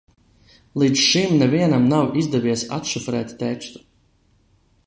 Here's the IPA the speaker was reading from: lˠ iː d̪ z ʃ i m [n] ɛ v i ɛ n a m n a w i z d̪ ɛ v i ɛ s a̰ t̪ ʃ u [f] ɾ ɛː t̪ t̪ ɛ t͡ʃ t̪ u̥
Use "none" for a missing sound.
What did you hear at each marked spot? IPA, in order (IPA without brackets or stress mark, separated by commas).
n, f